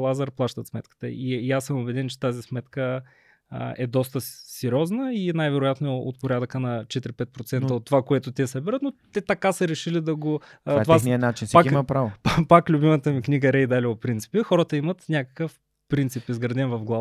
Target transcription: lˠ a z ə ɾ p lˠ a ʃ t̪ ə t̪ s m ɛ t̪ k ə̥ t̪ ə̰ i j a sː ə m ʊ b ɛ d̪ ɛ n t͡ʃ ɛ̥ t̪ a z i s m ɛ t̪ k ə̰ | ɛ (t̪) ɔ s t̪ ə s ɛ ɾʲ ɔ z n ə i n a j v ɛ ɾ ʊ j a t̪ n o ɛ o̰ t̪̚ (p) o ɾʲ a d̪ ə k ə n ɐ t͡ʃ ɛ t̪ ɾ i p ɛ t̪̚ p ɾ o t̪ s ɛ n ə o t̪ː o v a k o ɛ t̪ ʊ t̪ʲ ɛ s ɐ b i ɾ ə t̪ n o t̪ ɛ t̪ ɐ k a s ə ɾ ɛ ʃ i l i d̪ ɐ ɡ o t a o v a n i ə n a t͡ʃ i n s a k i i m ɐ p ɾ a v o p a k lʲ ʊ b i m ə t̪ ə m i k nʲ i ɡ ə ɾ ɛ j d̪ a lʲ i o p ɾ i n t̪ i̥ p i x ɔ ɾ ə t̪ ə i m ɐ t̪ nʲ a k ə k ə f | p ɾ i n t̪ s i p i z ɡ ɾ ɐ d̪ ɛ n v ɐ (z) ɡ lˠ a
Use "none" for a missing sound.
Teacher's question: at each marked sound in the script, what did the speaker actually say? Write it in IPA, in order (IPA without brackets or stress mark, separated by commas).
d̪, p, v